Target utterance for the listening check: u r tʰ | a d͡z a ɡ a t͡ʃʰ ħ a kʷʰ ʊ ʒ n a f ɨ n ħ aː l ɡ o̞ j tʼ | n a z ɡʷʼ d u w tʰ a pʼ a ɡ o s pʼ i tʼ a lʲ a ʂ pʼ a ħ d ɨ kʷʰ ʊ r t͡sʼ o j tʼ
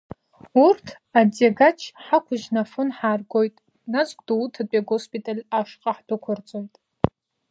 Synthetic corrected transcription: u r tʰ | a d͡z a ɡ a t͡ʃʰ ħ a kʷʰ ʊ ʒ n a f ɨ n ħ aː r ɡ o̞ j tʼ | n a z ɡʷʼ d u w tʰ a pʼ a ɡ o s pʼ i tʼ a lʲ a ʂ qʼ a ħ d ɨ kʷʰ ʊ r t͡sʼ o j tʼ